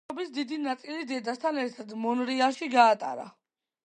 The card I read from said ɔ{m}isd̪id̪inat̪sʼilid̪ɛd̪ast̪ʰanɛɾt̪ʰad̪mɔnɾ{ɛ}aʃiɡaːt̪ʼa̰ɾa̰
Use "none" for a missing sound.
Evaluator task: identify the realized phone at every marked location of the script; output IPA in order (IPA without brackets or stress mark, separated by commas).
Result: b, i